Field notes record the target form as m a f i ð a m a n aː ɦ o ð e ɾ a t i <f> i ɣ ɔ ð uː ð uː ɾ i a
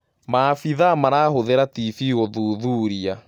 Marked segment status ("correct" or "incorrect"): correct